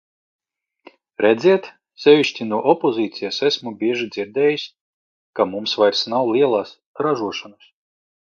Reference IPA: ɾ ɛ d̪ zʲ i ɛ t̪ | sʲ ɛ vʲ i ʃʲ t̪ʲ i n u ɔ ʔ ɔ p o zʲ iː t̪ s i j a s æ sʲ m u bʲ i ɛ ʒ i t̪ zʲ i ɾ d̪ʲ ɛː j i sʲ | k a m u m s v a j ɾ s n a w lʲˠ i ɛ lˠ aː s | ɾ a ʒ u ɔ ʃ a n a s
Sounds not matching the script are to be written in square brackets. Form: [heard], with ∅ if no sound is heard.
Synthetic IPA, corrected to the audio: ɾ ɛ d̪ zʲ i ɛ t̪ | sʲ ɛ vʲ i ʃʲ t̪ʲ i n u ɔ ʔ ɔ p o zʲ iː t̪ s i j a s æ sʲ m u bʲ i ɛ ʒ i [d̪] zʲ i ɾ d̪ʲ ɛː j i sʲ | k a m u m s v a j ɾ s n a w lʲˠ i ɛ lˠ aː s | ɾ a ʒ u ɔ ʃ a n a s